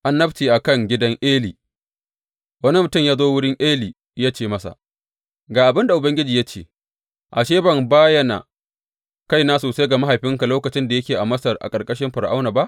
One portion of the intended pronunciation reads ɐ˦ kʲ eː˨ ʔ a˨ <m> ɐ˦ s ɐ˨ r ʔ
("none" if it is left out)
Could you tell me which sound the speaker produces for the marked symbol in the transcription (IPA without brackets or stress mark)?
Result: m